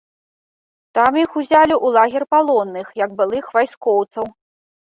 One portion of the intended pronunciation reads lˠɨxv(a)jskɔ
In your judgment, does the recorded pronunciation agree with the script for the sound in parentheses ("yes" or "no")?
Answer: yes